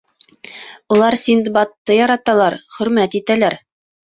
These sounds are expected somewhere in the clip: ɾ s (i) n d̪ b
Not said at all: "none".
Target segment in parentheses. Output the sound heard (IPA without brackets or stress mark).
i